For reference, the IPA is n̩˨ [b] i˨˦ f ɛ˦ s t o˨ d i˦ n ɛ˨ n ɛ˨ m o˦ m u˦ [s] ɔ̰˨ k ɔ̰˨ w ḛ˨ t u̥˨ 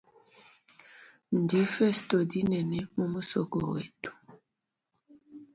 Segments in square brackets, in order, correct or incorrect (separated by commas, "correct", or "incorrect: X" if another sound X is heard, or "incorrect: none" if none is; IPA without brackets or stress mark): incorrect: d, correct